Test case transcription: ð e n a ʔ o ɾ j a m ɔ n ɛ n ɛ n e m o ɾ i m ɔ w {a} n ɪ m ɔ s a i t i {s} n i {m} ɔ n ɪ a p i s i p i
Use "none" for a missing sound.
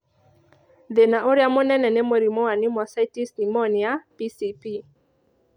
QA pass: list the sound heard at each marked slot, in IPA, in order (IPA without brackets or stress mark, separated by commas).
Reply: a, s, m